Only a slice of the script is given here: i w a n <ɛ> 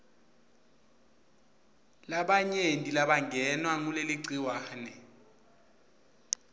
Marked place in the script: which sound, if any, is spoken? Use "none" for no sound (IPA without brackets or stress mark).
ɛ